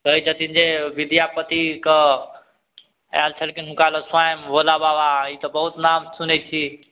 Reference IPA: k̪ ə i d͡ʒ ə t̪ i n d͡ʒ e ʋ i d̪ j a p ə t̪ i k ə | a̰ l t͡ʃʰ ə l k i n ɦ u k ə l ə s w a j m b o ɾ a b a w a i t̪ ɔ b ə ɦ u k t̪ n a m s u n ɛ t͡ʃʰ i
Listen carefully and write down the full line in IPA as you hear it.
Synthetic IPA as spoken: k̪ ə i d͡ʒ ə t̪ i n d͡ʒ e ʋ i d̪ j a p ə t̪ i k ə | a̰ l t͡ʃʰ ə l k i n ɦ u k a l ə s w a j m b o l a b a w a i t̪ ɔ b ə ɦ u t̪ n a m s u n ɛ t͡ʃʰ i